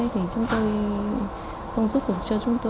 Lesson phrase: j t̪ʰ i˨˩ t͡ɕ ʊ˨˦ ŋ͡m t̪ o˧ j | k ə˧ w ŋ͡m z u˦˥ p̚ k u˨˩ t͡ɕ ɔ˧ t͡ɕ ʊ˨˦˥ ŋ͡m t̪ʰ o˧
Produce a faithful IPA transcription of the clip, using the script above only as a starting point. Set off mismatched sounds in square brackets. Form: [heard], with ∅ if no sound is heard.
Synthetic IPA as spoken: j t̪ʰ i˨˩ t͡ɕ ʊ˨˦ ŋ͡m t̪ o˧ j | [x] ə˧ w ŋ͡m z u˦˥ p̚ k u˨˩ t͡ɕ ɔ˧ t͡ɕ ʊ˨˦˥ ŋ͡m [t̪] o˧